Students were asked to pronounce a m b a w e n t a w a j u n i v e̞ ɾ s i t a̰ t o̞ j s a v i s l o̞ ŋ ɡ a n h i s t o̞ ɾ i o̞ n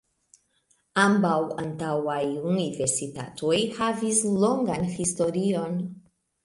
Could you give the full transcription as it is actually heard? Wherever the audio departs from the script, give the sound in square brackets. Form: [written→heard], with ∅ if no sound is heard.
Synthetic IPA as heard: a m b a w [e→a] n t a w a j u n i v e̞ ɾ s i t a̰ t o̞ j [s→h] a v i s l o̞ ŋ ɡ a n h i s t o̞ ɾ i o̞ n